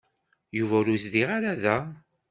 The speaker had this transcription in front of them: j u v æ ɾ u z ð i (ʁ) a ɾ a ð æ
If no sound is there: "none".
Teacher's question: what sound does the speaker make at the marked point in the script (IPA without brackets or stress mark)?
ʁ